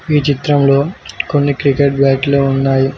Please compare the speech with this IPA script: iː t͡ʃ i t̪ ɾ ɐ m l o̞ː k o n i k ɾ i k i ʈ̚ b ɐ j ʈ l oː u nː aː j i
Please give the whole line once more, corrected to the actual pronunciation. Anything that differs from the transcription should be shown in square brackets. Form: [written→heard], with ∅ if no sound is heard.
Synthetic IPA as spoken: iː t͡ʃ i t̪ ɾ ɐ m l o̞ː k o [n→nː] i k ɾ i k [i→e] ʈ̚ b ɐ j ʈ l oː u nː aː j i